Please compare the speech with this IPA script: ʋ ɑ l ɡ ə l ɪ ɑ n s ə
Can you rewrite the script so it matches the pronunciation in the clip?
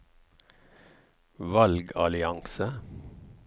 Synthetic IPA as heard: ʋ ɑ l ɡ ɑ l ɪ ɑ ŋ s ə